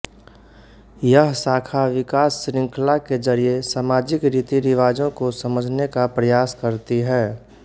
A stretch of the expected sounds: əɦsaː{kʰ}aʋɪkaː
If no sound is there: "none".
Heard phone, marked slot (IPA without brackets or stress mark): kʰ